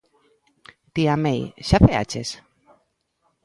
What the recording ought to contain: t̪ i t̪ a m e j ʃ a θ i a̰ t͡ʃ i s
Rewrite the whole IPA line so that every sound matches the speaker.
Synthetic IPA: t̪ i a m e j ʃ a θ e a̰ t͡ʃ e s

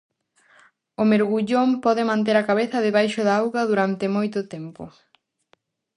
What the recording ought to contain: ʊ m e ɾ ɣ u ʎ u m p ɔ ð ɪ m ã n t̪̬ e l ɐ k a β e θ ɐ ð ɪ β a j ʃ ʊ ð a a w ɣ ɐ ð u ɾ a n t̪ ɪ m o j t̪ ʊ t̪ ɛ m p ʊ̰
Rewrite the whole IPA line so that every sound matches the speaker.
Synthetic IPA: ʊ m e ɾ ɣ u ʎ o m p ɔ ð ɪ m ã n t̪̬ e ɾ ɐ k a β e θ ɐ ð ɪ β a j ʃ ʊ ð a a w ɣ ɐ ð u ɾ a n t̪ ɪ m o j t̪ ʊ t̪ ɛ m p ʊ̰

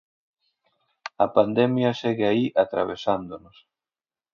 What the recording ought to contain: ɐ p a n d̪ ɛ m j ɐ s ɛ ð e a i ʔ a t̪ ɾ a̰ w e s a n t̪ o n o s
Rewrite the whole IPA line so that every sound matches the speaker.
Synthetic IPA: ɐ p a n d̪ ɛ m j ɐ s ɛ ɣ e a i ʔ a t̪ ɾ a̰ β e s a n d̪ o n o s

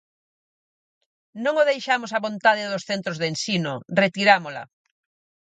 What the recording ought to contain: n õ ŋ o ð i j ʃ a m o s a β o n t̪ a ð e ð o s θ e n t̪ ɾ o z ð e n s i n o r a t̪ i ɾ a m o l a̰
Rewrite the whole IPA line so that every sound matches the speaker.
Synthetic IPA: n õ ŋ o ð e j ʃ a m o s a β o n t̪ a ð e ð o s θ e n t̪ ɾ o z ð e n s i n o r e t̪ i ɾ a m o l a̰

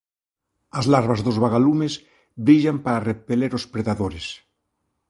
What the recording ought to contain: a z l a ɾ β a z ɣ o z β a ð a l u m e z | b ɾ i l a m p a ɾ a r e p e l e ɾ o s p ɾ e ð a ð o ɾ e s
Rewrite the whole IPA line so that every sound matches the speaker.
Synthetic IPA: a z l a ɾ β a z ð o z β a ɣ a l u m e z | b ɾ i ʎ a m p a ɾ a r e p e l e ɾ o s p ɾ e ð a ð o ɾ e s

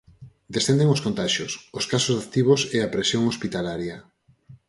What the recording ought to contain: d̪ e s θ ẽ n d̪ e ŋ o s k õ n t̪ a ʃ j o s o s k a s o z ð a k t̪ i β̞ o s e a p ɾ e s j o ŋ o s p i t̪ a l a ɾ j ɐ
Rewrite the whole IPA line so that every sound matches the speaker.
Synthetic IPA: d̪ e s θ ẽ n d̪ e ŋ o s k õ n t̪ a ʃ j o s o s k a s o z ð a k t̪ i β̞ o s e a p ɾ e s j o ŋ o s p i t̪ a l a ɾ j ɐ

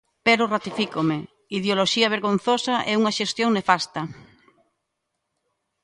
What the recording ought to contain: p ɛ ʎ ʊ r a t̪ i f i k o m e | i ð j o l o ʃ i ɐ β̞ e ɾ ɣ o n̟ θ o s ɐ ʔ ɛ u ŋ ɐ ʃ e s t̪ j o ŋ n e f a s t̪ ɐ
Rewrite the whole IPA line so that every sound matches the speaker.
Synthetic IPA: p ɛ ɾ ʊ r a t̪ i f i k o m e | i ð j o l o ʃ i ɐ β̞ e ɾ ɣ o n̟ θ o s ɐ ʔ ɛ u ŋ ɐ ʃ e s t̪ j o ŋ n e f a s t̪ ɐ

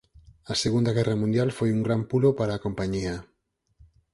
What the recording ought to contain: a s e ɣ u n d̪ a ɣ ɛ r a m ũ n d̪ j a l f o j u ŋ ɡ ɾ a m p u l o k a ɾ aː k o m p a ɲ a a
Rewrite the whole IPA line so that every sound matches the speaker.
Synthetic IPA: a s e ɣ u n d̪ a ɣ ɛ r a m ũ n d̪ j a l f o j u ŋ ɡ ɾ a m p u l o p a ɾ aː k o m p a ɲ i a

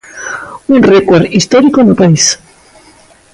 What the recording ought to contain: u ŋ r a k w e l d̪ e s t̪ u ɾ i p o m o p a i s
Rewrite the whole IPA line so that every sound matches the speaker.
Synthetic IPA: u n r e k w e ɾ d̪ i s t̪ o ɾ i k o n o p a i s

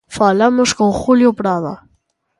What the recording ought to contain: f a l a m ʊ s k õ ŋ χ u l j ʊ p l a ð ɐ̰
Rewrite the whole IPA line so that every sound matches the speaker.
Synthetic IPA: f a l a m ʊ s k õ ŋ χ u l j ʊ p ɾ a ð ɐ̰

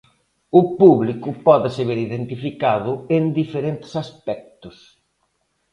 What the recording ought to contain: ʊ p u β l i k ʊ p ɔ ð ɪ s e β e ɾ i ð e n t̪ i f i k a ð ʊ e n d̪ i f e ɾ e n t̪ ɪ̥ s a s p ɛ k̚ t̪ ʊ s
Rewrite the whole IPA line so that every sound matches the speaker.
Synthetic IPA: ʊ p u β l i k ʊ p ɔ ð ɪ s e β e ɾ i ð e n t̪ i f i k a ð ʊ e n d̪ i f e ɾ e n t̪ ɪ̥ s a s p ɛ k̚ t̪ ʊ s

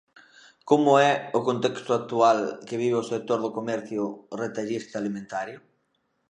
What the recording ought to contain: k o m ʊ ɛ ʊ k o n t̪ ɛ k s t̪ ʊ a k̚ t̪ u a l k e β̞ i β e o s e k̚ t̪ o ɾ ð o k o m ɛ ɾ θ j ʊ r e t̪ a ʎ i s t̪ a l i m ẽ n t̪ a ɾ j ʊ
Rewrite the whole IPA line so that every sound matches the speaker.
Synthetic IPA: k o m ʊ ɛ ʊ k o n t̪ ɛ k s t̪ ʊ a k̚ t̪ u a l k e β̞ i β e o s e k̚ t̪ o ɾ ð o k o m ɛ ɾ θ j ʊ r e t̪ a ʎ i s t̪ a l i m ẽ n t̪ a ɾ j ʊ

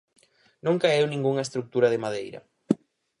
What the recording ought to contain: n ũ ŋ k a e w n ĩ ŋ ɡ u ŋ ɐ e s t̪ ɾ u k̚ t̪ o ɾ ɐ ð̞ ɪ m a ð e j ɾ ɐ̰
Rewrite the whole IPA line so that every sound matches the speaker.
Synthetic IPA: n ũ ŋ k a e w n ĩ ŋ ɡ u ŋ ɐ e s t̪ ɾ u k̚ t̪ u ɾ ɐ ð̞ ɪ m a ð e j ɾ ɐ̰

